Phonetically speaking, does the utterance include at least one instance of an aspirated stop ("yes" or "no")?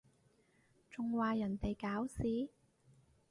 no